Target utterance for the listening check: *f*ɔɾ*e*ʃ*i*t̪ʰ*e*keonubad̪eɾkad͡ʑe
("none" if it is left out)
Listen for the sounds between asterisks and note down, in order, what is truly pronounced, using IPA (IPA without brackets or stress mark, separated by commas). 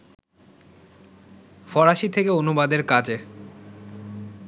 f, a, i, e